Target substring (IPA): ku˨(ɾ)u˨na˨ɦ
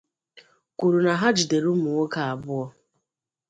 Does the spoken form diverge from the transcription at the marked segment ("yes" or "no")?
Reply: no